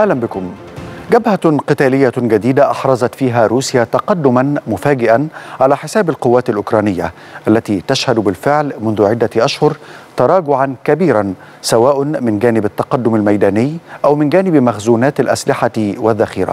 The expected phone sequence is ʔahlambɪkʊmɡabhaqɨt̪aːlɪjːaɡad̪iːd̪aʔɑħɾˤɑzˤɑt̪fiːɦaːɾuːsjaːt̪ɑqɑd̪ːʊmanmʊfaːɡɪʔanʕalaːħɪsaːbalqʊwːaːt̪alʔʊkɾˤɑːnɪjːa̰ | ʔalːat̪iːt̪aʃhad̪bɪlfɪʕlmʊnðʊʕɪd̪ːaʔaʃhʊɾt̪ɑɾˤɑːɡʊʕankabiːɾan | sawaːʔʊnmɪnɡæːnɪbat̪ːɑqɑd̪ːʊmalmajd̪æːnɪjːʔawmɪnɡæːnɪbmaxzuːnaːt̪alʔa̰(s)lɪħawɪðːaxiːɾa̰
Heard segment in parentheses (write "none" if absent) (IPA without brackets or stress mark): s